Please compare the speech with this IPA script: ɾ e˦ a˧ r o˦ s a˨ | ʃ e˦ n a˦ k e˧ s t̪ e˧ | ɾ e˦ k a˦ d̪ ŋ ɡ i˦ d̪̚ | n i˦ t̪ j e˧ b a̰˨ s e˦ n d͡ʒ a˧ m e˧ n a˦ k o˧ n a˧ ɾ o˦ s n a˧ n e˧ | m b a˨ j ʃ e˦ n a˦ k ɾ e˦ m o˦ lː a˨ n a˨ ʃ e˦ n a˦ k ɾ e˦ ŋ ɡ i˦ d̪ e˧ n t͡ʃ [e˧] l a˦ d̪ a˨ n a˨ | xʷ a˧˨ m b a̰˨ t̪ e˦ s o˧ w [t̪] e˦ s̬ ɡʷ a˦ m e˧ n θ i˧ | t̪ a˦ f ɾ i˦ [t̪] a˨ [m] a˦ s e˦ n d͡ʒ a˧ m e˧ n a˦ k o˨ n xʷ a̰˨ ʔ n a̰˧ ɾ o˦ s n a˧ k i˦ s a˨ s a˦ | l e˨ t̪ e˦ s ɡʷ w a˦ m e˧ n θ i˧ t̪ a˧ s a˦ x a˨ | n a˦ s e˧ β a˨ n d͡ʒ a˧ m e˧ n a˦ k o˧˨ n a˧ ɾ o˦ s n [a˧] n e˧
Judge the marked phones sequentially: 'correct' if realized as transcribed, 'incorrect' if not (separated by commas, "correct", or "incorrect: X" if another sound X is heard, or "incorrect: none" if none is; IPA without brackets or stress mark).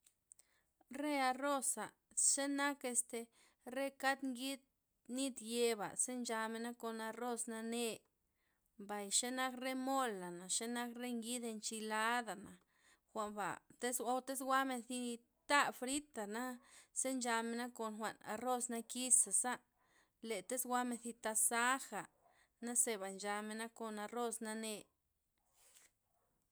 incorrect: i˧, correct, correct, incorrect: n, correct